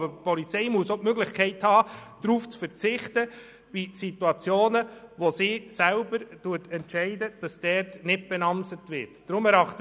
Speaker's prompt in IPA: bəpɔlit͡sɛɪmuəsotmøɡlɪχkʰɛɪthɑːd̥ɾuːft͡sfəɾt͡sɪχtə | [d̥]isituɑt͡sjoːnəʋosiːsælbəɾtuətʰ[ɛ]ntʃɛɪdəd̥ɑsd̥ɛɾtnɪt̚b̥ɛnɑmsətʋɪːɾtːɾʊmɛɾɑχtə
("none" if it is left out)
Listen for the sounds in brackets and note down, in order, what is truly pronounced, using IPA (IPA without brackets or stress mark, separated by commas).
b̥, ɛ